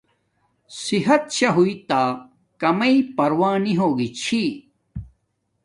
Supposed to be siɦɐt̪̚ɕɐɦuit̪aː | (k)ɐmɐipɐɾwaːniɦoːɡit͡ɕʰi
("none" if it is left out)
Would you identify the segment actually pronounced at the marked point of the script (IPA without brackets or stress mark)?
k